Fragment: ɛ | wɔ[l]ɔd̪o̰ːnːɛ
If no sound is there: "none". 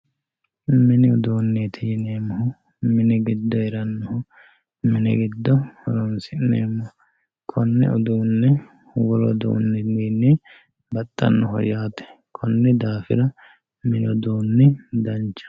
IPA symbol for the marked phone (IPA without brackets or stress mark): l